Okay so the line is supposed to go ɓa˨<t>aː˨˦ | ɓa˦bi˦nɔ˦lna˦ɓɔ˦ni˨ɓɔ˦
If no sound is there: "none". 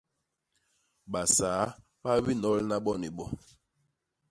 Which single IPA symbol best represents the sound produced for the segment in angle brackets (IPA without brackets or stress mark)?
s